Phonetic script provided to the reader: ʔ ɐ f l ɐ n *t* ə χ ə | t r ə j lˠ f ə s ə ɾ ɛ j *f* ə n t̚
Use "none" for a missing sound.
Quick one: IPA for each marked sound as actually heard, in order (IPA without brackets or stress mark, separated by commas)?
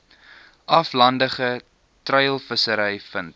d, f